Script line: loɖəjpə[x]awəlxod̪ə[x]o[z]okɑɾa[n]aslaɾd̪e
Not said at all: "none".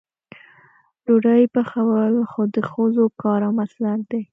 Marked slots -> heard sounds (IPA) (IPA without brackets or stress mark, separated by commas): x, x, z, m